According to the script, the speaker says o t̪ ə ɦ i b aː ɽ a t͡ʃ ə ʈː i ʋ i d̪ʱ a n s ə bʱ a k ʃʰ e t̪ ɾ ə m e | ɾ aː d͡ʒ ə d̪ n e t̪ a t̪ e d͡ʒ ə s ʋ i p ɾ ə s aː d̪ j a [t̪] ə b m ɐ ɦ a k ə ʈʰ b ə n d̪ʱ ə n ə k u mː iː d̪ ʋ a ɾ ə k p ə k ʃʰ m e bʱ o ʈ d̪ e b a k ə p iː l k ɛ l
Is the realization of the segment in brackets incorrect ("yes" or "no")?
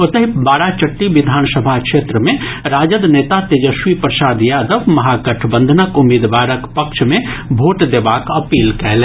yes